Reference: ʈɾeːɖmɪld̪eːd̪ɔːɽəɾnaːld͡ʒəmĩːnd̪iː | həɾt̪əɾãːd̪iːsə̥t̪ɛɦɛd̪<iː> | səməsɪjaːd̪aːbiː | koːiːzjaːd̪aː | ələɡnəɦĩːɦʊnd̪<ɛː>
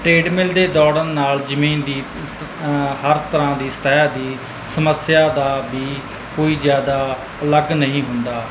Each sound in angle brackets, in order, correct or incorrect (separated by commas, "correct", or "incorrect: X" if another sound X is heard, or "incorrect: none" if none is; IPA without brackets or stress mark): correct, incorrect: aː